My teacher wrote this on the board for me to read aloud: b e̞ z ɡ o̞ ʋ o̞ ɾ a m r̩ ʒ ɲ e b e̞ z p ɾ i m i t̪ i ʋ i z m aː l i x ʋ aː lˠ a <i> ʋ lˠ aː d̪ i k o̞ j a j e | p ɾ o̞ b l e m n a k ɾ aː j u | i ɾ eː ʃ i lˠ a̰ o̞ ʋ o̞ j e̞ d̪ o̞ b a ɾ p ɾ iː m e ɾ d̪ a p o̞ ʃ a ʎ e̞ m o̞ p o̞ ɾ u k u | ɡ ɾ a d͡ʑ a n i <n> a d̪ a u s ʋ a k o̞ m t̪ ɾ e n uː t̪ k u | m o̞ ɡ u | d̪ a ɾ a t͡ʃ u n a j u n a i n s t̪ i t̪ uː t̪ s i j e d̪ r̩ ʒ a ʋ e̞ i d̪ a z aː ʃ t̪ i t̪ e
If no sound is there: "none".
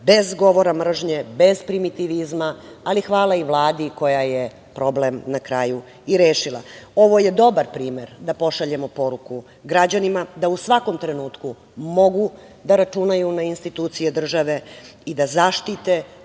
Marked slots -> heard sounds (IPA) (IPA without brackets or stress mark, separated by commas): i, m